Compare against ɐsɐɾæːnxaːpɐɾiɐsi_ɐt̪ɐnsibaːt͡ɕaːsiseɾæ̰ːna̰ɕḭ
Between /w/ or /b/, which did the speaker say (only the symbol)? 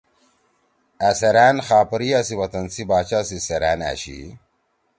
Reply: w